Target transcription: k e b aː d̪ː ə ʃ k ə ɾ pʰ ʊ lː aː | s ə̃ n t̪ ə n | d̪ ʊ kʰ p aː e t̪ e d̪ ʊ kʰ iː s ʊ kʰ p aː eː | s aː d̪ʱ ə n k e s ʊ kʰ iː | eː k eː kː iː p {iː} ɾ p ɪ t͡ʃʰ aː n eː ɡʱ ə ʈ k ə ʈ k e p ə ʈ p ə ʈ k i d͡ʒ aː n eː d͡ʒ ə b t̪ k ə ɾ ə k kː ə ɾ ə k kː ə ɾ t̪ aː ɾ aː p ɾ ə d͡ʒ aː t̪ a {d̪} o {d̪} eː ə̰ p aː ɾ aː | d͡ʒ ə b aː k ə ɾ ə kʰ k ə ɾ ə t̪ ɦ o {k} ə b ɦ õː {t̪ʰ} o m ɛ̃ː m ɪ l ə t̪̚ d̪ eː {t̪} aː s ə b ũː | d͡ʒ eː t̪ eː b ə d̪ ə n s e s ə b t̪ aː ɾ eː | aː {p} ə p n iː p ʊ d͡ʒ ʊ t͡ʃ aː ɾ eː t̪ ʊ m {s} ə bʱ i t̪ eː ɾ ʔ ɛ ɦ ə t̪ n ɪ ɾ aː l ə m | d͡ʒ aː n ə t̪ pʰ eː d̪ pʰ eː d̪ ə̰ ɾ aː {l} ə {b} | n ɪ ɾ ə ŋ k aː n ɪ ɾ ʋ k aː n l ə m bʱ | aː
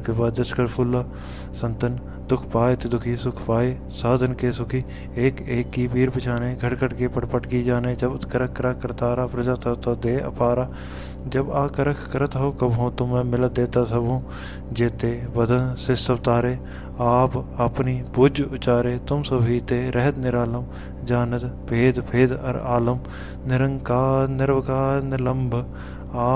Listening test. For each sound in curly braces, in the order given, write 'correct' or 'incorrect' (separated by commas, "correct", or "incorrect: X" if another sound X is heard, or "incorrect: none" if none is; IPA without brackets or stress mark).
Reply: correct, incorrect: t̪, correct, correct, incorrect: t̪, correct, correct, correct, correct, incorrect: m